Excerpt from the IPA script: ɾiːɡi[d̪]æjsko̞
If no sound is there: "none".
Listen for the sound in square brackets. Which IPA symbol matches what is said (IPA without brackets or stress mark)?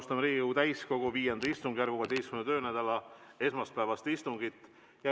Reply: t̪